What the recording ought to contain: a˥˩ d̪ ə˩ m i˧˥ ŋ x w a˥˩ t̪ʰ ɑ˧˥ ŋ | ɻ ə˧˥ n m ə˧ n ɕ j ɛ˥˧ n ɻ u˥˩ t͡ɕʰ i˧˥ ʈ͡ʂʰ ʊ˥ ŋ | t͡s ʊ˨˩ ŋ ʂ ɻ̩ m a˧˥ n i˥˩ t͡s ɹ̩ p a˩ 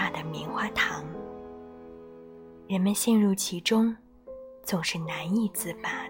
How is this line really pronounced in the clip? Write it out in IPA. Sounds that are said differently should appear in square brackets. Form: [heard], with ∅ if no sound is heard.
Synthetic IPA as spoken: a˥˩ d̪ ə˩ m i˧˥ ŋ x w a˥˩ t̪ʰ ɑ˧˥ ŋ | ɻ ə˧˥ n m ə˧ n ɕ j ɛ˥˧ n ɻ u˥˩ t͡ɕʰ i˧˥ [ʈ͡ʂ] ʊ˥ ŋ | t͡s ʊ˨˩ ŋ ʂ ɻ̩ [n] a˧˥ n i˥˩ t͡s ɹ̩ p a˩